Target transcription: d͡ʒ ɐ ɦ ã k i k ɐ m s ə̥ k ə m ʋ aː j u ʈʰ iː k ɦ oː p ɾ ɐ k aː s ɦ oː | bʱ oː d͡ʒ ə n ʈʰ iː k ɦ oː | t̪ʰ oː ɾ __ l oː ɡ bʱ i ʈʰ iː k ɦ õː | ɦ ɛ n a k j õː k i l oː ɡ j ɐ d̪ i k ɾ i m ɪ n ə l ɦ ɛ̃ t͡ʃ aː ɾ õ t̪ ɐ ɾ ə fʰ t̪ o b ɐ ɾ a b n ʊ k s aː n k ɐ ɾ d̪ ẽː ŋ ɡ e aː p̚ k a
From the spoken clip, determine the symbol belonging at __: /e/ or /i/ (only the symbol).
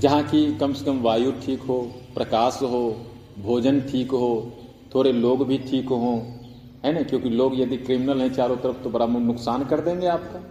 e